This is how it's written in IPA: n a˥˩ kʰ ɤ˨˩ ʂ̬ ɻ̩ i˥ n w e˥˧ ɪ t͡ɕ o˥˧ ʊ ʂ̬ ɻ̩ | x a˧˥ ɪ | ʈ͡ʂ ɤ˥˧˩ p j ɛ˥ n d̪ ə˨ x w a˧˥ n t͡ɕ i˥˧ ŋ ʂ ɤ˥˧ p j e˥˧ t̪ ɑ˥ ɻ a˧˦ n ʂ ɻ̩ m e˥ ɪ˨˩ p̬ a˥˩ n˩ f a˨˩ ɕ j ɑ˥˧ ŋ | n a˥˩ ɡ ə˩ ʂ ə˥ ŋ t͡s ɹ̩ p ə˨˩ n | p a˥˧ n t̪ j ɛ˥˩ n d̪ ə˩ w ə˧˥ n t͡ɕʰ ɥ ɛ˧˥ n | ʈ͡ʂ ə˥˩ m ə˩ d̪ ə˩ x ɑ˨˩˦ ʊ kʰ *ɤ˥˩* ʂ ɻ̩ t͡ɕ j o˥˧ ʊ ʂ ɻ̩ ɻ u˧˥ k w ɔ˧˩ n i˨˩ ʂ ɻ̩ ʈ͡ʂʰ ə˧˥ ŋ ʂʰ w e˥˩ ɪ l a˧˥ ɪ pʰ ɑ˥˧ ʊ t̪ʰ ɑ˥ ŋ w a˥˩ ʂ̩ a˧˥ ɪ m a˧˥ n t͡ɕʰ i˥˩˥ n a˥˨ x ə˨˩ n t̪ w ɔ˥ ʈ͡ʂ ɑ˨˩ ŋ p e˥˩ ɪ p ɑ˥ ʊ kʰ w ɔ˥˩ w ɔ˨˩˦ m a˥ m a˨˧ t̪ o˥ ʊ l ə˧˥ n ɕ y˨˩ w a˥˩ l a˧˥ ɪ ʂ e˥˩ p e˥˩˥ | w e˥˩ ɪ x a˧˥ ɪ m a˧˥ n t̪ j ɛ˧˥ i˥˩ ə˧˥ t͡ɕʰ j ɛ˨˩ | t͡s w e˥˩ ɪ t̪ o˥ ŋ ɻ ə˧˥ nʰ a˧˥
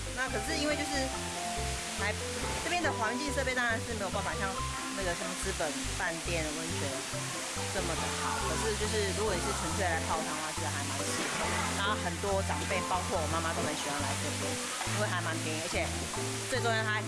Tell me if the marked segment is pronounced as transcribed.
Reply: no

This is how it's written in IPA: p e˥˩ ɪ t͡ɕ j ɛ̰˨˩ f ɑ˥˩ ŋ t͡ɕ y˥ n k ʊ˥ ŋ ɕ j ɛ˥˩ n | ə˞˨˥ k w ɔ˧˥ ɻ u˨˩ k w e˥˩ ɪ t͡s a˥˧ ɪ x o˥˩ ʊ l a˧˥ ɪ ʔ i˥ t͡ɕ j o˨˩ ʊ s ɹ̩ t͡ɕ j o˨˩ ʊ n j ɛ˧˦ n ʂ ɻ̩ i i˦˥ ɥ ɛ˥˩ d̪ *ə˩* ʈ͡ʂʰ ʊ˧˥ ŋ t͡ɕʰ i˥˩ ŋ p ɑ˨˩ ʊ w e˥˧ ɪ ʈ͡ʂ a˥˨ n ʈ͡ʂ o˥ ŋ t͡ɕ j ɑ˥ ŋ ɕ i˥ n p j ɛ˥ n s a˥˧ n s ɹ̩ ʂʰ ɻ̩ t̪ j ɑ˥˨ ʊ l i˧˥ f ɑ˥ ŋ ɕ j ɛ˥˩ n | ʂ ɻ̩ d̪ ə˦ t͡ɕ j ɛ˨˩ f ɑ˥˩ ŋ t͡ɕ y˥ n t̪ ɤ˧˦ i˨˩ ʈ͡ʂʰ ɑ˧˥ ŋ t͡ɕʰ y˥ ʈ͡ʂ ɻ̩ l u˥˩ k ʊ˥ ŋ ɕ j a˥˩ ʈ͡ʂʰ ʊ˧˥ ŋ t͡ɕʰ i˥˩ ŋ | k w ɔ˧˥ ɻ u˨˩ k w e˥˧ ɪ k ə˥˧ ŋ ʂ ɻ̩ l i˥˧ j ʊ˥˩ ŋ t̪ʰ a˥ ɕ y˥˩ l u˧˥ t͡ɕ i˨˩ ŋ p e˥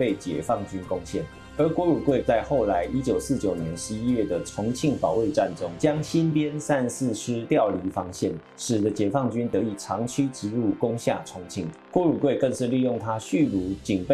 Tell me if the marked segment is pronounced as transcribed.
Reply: yes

